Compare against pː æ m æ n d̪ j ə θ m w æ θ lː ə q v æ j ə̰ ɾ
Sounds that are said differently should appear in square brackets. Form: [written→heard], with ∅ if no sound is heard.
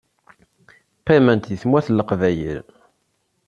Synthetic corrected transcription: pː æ m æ n [d̪→t̪] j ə θ m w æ θ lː ə q v æ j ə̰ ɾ